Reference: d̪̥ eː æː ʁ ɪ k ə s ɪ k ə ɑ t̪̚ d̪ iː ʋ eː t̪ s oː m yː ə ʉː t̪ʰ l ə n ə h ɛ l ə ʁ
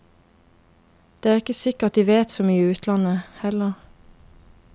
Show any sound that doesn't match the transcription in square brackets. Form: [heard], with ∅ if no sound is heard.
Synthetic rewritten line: d̪̥ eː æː ʁ ɪ k ə s ɪ k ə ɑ t̪̚ d̪ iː ʋ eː t̪ s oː m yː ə ʉː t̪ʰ l [ɑ] n ə h ɛ l ə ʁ